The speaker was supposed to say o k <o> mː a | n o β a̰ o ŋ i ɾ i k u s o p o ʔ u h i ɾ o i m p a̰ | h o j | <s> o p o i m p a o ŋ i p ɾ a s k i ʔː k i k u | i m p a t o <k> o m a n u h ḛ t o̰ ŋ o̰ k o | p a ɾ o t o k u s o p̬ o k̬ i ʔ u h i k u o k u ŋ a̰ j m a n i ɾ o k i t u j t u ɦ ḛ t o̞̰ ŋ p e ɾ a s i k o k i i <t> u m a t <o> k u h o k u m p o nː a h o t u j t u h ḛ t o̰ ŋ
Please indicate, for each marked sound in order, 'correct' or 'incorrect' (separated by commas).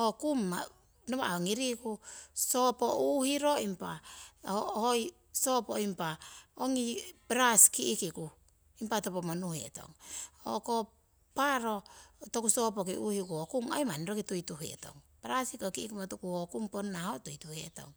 incorrect, correct, incorrect, incorrect, incorrect